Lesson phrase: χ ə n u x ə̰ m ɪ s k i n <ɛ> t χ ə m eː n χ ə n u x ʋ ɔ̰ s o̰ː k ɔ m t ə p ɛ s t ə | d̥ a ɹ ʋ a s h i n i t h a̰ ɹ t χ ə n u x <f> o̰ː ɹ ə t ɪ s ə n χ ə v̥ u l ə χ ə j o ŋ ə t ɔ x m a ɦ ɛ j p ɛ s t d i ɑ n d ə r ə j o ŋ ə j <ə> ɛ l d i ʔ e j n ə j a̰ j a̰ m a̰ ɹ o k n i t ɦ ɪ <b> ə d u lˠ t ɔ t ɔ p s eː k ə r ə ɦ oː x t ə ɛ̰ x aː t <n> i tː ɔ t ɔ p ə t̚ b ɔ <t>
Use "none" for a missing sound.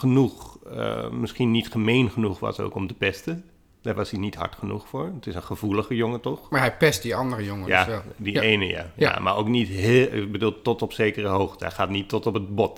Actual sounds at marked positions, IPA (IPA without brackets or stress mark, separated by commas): i, f, a, b, n, t